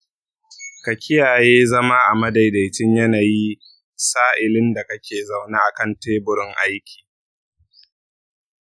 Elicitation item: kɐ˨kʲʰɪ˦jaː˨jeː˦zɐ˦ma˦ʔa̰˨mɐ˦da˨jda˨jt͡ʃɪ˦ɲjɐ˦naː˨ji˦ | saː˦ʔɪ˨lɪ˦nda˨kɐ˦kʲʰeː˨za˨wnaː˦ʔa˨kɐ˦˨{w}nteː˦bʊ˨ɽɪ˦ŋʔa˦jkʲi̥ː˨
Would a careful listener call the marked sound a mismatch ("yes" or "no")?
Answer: yes